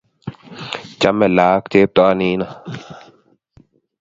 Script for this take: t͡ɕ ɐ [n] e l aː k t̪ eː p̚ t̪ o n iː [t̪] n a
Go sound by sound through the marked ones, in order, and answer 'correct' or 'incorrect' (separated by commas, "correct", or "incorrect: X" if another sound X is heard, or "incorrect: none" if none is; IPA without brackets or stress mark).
incorrect: m, incorrect: none